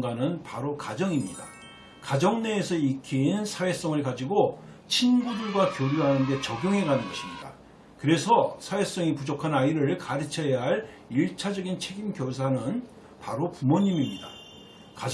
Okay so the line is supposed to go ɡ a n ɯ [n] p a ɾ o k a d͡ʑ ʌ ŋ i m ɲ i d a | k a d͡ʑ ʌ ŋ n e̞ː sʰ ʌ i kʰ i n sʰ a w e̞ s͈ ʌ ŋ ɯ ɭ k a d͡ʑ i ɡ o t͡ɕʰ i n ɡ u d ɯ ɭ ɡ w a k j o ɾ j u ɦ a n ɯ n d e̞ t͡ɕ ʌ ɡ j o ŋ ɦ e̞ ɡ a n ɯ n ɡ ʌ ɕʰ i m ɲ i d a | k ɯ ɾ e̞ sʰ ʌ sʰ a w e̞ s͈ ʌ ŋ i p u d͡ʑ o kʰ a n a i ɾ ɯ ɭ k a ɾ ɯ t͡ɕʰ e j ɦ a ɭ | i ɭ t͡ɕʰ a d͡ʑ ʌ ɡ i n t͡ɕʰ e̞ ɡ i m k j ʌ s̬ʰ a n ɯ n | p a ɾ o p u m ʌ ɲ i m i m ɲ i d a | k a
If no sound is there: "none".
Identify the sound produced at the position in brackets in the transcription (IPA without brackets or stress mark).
n